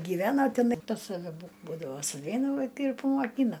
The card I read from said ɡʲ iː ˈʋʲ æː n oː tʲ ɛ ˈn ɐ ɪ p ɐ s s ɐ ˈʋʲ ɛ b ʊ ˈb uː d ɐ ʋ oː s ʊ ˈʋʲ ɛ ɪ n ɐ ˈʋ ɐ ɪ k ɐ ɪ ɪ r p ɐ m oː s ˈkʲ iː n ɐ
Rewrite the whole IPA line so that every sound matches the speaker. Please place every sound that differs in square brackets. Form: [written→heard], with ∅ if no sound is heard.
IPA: ɡʲ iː ˈʋʲ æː n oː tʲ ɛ ˈn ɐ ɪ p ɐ s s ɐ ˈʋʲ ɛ b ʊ ˈb uː d ɐ ʋ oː s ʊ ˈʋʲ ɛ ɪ n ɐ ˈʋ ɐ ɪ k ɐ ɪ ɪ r p ɐ m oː [s→∅] ˈkʲ iː n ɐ